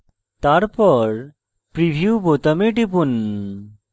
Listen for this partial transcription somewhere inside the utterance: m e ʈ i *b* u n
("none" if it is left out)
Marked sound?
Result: p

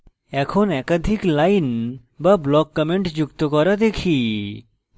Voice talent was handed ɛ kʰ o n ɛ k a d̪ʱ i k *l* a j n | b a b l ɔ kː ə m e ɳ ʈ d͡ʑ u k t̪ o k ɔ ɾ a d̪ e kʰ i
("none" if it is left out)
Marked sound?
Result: l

